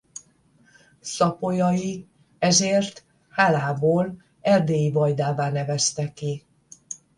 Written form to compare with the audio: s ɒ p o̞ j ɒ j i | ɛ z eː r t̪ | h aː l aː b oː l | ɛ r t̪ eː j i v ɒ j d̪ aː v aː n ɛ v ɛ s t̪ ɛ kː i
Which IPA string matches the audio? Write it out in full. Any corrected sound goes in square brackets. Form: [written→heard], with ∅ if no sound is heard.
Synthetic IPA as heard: s ɒ p o̞ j ɒ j i | ɛ z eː r t̪ | h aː l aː b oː l | ɛ r [t̪→d̪] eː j i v ɒ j d̪ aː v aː n ɛ v ɛ s t̪ ɛ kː i